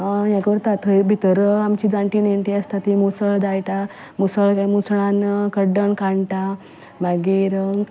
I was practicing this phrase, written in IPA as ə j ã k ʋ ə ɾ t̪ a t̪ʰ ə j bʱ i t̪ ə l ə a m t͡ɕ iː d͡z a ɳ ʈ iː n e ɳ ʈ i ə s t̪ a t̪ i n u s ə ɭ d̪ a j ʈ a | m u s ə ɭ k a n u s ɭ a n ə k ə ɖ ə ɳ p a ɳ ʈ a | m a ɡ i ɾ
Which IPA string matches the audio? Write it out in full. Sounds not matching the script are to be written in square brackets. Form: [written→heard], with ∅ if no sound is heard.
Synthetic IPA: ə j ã k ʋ ə ɾ t̪ a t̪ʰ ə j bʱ i t̪ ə [l→ɾ] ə a m t͡ɕ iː d͡z a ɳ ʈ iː n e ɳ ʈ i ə s t̪ a t̪ i [n→m] u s ə ɭ d̪ a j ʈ a | m u s ə ɭ k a [n→m] u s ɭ a n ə k ə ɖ ə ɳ [p→k] a ɳ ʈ a | m a ɡ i ɾ